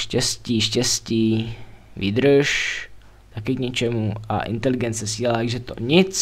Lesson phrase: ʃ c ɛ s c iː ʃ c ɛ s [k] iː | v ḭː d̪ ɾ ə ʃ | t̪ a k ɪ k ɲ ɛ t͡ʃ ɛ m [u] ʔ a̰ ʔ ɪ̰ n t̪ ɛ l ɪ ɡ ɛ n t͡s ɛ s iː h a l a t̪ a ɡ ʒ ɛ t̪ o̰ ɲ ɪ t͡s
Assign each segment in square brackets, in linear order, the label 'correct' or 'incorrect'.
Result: incorrect: c, correct

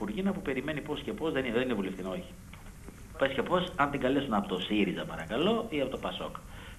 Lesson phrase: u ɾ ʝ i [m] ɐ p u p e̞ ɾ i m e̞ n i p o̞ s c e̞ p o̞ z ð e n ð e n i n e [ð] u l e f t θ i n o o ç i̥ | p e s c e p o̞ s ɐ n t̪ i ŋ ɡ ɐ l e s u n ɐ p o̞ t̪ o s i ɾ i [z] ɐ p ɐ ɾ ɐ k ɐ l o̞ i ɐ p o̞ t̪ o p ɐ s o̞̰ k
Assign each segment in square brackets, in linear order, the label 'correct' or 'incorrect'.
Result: incorrect: n, incorrect: v, correct

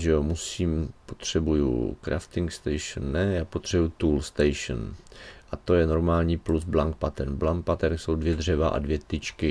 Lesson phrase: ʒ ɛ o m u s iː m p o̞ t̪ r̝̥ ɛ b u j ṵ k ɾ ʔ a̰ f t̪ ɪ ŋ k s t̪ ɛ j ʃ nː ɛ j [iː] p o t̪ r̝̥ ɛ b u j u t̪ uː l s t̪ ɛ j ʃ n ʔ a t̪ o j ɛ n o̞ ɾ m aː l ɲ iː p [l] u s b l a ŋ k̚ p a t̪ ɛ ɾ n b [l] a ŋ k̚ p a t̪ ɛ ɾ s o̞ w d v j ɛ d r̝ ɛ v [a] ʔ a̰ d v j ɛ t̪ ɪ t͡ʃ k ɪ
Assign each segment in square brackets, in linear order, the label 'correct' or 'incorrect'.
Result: incorrect: aː, correct, correct, correct

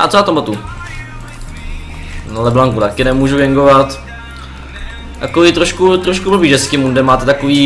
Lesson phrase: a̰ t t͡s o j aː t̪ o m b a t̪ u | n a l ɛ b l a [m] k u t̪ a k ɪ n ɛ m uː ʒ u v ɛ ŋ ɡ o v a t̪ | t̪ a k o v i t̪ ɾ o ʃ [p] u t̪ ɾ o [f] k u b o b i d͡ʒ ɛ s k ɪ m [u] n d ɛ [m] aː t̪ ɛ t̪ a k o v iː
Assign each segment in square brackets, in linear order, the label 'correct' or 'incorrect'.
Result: incorrect: ŋ, incorrect: k, incorrect: ʃ, correct, correct

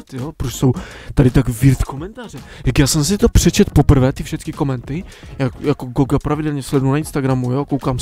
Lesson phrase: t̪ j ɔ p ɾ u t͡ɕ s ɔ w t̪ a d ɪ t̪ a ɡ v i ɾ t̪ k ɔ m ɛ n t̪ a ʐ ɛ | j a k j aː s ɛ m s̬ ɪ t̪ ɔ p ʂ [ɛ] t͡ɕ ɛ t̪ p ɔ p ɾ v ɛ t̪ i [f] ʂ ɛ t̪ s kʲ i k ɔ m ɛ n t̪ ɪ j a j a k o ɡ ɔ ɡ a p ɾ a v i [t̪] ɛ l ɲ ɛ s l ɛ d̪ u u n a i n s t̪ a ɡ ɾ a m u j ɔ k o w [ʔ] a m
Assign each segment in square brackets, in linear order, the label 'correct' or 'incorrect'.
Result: correct, correct, incorrect: d̪, incorrect: k

